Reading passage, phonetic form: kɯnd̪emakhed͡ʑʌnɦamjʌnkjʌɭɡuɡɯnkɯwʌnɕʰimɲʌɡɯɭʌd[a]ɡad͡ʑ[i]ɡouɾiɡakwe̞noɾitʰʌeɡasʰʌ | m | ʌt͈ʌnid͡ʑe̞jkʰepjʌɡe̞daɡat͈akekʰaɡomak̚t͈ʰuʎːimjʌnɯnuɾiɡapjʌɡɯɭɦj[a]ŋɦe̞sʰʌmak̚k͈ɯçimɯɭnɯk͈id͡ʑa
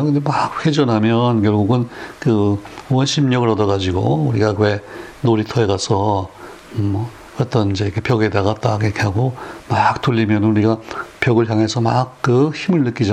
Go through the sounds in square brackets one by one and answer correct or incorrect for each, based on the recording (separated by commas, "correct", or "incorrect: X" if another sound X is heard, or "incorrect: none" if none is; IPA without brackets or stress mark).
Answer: incorrect: ʌ, correct, correct